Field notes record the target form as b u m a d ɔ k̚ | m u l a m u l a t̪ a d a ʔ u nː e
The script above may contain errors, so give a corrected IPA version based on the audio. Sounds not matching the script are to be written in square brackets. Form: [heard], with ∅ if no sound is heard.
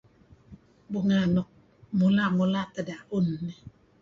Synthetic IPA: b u [ŋ] a [n] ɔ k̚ | m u l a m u l a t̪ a d a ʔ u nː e